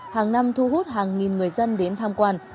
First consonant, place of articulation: glottal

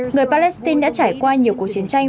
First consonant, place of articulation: velar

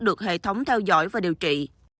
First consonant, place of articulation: alveolar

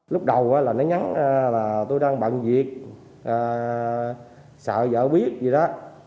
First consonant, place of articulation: alveolar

